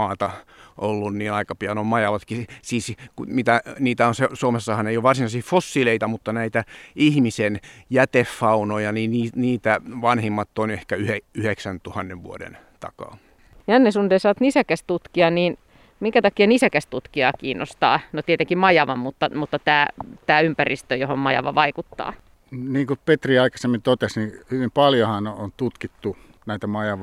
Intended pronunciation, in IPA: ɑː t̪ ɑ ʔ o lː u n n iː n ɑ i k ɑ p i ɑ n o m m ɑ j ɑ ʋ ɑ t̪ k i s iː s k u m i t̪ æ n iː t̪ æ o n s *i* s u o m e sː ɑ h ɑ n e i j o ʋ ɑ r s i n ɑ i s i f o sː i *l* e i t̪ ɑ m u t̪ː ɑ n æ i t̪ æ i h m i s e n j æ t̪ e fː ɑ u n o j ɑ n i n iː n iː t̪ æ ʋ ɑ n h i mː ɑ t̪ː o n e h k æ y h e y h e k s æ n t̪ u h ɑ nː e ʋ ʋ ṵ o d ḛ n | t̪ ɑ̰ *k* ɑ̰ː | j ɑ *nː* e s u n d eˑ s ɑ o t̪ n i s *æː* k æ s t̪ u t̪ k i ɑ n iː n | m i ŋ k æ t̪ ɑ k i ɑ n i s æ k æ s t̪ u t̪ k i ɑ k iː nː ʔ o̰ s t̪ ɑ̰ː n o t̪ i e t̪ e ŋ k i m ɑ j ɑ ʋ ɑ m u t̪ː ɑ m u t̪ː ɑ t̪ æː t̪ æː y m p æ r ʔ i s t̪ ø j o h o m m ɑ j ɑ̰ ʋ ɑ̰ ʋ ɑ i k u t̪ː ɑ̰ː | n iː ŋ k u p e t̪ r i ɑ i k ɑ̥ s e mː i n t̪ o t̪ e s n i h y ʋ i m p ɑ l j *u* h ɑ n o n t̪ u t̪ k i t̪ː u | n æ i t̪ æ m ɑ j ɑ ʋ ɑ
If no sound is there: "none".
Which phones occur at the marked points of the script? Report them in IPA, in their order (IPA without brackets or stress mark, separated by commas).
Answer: e, l, k, nː, æ, o